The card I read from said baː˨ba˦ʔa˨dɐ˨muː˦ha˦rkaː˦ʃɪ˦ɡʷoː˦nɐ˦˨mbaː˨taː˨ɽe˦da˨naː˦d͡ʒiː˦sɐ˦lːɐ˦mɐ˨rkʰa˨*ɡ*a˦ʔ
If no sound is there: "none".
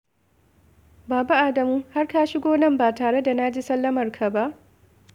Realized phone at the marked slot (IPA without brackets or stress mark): b